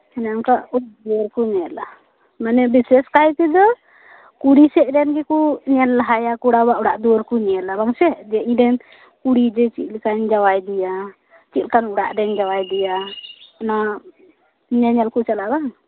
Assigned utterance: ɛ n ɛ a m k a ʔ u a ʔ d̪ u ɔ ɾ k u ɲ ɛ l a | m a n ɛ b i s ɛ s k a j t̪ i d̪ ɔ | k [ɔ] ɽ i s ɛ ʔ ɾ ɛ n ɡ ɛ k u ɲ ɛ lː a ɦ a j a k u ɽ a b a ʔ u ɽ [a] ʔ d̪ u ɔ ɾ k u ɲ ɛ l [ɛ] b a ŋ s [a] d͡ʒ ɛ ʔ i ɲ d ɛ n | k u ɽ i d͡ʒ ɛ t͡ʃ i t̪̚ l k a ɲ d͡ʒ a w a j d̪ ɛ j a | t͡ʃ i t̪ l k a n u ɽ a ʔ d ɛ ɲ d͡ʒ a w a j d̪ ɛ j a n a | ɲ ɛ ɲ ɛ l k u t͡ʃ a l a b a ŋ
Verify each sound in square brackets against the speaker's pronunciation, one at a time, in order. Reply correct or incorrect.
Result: incorrect, correct, incorrect, incorrect

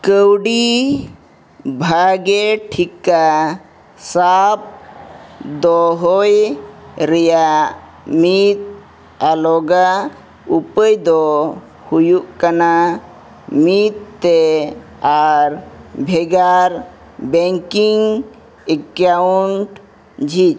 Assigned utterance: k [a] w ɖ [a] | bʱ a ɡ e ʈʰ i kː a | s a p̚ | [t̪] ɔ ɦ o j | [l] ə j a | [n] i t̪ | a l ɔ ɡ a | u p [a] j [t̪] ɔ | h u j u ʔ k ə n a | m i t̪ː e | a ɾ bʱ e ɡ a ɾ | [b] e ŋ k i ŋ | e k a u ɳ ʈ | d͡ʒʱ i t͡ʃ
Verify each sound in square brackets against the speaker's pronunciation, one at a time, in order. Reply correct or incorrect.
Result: incorrect, incorrect, incorrect, incorrect, incorrect, incorrect, incorrect, correct

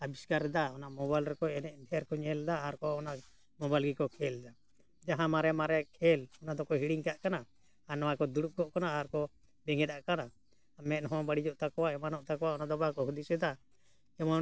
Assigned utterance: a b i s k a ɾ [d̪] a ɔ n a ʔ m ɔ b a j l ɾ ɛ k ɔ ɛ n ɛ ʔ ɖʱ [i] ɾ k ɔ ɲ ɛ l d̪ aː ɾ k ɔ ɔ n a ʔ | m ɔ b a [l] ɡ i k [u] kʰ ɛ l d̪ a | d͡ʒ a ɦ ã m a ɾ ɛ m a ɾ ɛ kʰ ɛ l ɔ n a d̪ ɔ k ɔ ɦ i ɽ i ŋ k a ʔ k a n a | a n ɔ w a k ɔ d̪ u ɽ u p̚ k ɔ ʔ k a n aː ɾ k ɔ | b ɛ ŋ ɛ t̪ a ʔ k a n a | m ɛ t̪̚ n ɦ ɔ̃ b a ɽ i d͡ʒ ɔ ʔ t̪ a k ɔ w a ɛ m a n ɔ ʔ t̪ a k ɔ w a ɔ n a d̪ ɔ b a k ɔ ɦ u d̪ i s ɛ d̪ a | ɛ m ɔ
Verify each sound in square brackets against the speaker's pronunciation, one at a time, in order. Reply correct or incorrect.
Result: correct, incorrect, correct, incorrect

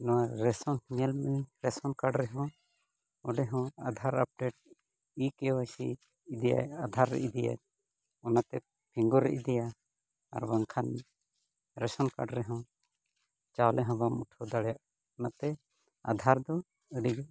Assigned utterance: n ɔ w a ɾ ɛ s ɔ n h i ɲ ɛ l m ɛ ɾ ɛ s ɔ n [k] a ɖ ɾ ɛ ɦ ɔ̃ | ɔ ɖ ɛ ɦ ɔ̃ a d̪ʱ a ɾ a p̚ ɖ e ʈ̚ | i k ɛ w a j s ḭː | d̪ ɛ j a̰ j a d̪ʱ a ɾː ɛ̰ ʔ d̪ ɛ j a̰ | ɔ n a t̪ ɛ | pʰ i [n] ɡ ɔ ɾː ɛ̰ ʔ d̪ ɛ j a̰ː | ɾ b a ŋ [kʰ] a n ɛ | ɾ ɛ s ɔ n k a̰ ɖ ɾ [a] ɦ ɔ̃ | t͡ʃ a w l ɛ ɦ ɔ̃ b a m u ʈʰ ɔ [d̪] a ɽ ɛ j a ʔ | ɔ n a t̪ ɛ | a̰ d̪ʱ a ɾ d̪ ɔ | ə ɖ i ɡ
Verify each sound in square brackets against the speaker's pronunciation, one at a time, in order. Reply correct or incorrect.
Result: correct, incorrect, correct, incorrect, correct

